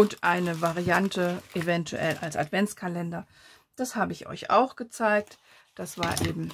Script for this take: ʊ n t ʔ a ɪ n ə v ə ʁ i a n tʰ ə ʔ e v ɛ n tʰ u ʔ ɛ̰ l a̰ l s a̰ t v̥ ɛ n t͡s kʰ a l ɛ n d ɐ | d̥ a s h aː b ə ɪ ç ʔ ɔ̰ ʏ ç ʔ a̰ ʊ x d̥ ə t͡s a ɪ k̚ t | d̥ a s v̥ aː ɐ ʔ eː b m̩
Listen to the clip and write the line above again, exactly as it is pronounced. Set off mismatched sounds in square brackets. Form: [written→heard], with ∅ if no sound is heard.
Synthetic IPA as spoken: ʊ n t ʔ a ɪ n ə v [ə→a] ʁ i a n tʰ ə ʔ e v ɛ n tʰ u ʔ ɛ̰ l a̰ l s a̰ t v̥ ɛ n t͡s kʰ a l ɛ n d ɐ | d̥ a s h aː b ə ɪ ç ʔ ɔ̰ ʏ ç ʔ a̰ ʊ x [d̥→ɡ̥] ə t͡s a ɪ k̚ t | d̥ a s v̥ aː ɐ ʔ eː b m̩